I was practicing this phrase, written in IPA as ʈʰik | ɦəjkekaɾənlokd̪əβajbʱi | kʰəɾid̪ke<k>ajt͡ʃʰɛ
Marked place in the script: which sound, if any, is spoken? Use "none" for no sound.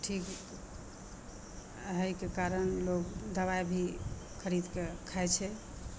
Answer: kʰ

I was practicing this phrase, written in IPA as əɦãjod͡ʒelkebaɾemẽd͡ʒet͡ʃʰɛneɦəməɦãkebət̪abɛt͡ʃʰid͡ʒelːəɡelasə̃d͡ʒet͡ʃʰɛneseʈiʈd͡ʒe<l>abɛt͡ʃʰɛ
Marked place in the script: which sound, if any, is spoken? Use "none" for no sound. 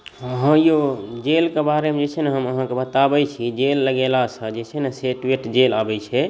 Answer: l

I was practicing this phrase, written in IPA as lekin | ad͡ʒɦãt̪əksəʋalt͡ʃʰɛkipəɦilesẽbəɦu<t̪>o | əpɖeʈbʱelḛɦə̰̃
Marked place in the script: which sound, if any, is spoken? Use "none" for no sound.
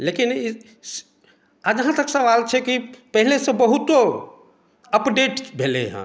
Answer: t̪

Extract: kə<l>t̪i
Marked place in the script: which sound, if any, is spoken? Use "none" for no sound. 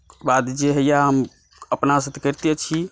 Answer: ɾ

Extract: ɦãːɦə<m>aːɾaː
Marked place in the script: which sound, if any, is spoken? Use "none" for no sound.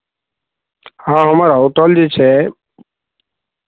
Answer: m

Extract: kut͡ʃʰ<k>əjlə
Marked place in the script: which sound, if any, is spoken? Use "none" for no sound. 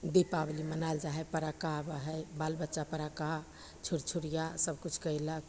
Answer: k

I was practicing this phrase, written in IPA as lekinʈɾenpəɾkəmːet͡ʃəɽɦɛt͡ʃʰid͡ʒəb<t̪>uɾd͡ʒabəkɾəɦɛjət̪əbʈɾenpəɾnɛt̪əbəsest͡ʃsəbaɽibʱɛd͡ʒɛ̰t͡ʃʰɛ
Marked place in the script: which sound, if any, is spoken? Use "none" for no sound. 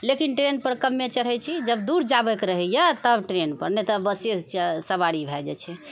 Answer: d̪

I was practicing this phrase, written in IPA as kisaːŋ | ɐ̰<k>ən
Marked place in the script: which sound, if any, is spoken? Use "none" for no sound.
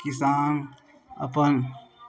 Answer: p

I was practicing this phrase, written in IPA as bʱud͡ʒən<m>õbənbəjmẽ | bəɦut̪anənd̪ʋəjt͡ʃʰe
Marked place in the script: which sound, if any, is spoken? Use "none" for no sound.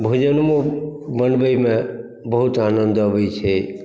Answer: m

